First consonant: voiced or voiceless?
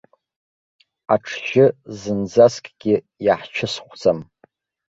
voiceless